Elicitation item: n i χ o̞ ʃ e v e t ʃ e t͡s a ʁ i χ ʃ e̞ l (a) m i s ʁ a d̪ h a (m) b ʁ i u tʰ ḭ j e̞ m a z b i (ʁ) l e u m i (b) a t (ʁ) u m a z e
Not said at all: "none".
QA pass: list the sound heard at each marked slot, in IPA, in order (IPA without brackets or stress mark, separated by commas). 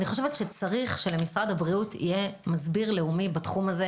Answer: e, none, ʁ, b, χ